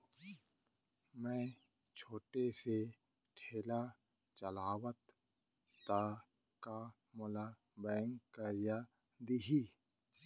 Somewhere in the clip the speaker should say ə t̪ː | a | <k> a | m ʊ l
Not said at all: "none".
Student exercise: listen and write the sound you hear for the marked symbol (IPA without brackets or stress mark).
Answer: k